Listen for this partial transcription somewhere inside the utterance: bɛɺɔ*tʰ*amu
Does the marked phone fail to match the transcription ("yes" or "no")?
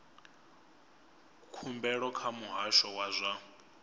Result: yes